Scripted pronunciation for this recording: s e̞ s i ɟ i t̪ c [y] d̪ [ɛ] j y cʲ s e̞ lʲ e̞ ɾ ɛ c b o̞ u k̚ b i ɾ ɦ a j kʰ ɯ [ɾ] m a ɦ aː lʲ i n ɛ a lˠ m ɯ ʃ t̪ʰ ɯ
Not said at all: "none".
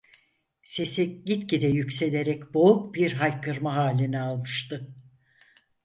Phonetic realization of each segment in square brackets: i, ɛ, ɾ

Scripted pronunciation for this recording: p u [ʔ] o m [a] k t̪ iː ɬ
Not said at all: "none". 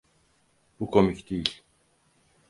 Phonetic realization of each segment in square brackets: k, i

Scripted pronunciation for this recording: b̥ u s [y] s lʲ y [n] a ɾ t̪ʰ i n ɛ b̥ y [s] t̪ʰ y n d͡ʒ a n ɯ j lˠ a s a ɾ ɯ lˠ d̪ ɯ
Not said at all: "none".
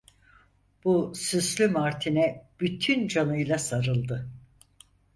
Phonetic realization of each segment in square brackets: y, m, none

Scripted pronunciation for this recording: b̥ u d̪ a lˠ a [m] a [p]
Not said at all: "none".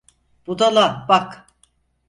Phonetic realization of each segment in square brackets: b, k

